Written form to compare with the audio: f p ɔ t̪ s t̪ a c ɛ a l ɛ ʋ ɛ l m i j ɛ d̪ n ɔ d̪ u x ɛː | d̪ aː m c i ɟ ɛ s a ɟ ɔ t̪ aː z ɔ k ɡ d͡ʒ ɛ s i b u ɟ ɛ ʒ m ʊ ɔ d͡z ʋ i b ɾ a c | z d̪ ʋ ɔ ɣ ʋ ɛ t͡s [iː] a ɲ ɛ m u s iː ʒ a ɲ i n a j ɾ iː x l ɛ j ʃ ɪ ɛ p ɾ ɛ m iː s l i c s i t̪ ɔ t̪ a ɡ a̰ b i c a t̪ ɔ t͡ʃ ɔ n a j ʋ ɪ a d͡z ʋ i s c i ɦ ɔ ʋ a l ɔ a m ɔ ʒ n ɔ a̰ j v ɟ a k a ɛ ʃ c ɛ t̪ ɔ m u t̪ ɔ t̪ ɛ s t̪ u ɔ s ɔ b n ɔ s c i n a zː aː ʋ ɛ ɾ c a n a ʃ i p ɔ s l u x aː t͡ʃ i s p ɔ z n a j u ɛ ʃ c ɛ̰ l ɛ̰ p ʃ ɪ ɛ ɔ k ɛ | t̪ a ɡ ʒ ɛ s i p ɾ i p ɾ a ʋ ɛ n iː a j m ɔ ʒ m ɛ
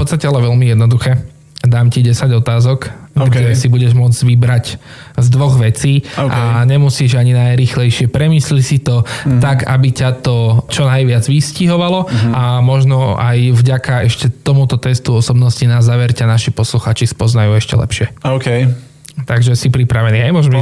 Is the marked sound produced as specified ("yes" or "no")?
yes